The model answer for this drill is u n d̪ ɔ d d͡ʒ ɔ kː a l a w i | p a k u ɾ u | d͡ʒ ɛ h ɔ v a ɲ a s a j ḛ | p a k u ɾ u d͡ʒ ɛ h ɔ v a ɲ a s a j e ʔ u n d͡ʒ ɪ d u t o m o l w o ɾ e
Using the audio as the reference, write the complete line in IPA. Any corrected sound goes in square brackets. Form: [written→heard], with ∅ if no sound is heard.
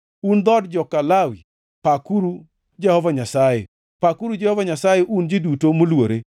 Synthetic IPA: u n d̪ ɔ d d͡ʒ ɔ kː a l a w i | p a k u ɾ u | d͡ʒ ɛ h ɔ v a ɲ a s a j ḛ | p a k u ɾ u d͡ʒ ɛ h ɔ v a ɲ a s a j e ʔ u n d͡ʒ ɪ d u t o m o l w o ɾ e